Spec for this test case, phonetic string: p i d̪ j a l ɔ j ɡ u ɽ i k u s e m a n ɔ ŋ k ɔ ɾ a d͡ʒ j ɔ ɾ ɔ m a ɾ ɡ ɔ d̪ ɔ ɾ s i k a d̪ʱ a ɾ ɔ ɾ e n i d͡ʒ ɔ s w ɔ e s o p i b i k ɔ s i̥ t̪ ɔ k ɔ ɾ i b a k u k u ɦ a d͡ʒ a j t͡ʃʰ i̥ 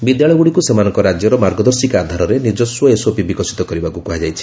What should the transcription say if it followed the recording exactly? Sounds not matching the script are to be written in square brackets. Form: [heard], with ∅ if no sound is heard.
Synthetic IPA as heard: [b] i d̪ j a [ɭ] ɔ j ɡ u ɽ i k u s e m a n ɔ ŋ k ɔ ɾ a d͡ʒ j ɔ ɾ ɔ m a ɾ ɡ ɔ d̪ ɔ ɾ s i k a d̪ʱ a ɾ ɔ ɾ e n i d͡ʒ ɔ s w ɔ e s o p i b i k ɔ s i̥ t̪ ɔ k ɔ ɾ i b a k u k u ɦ a d͡ʒ a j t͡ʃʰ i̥